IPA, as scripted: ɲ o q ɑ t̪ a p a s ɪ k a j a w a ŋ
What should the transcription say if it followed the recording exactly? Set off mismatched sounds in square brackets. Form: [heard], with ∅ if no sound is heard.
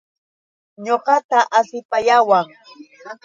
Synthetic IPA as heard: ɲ o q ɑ t̪ a [ʔ] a s ɪ [p] a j a w a ŋ

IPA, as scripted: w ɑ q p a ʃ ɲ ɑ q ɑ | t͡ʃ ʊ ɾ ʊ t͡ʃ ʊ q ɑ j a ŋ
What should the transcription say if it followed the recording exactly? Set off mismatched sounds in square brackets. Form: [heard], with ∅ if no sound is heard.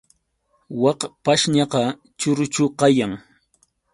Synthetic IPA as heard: w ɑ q p a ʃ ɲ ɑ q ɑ | t͡ʃ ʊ ɾ ʊ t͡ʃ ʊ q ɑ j a ŋ

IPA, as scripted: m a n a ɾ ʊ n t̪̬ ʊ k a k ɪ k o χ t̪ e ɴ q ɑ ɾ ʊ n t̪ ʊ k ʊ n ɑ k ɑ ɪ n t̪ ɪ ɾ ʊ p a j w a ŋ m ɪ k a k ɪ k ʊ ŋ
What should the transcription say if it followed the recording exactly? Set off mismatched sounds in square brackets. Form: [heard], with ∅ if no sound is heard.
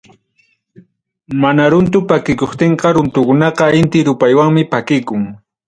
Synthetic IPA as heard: m a n a ɾ ʊ n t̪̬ ʊ [p] a k ɪ k o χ t̪ e ɴ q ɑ ɾ ʊ n t̪ ʊ k ʊ n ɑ [q] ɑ ɪ n t̪ ɪ ɾ ʊ p a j w a ŋ m ɪ [p] a k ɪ k ʊ ŋ

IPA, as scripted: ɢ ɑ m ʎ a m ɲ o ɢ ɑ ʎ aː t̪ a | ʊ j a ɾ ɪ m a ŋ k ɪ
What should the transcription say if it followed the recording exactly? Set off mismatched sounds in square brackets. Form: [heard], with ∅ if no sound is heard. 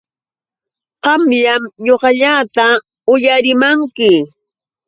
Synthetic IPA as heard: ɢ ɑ m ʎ a m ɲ o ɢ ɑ ʎ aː t̪ a | ʊ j a ɾ ɪ m a ŋ k ɪ

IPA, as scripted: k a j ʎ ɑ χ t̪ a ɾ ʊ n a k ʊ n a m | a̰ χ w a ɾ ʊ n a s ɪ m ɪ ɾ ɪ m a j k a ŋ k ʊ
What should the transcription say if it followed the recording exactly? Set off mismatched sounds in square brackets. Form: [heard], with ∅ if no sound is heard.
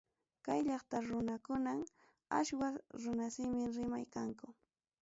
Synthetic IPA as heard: k a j ʎ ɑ χ t̪ a ɾ ʊ n a k ʊ n a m | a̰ [ʃ] w a ɾ ʊ n a s ɪ m ɪ ɾ ɪ m a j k a ŋ k ʊ

